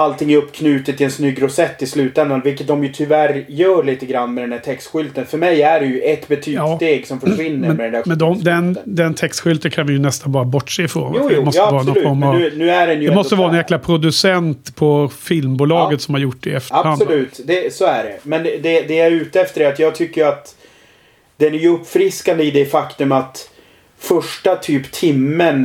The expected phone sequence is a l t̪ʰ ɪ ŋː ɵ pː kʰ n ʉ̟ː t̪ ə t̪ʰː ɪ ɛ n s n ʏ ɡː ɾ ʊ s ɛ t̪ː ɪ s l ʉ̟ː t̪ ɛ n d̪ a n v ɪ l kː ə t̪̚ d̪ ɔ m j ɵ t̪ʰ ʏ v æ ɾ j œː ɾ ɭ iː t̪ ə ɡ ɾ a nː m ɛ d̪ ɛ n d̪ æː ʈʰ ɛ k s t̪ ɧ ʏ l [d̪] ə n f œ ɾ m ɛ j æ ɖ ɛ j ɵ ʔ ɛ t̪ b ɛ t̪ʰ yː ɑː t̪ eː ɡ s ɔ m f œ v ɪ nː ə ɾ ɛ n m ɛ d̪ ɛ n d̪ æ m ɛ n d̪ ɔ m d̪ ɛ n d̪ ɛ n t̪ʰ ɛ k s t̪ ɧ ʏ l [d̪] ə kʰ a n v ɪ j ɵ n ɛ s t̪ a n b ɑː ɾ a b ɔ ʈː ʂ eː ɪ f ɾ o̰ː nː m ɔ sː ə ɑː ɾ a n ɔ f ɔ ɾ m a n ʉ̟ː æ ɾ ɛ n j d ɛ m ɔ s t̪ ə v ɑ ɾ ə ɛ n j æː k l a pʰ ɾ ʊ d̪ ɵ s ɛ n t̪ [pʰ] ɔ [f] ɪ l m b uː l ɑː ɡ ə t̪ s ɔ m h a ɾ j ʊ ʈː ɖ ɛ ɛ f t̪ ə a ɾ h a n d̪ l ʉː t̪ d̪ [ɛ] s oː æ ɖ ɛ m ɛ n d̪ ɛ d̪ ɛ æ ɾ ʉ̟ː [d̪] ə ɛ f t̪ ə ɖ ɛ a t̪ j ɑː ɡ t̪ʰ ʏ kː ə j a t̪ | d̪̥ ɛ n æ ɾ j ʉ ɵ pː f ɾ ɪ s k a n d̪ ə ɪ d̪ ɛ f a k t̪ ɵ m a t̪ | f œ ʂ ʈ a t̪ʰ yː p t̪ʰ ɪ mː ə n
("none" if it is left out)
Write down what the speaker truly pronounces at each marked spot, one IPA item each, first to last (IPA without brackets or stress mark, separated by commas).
t̪, t̪, pʰ, f, ɛ, t̪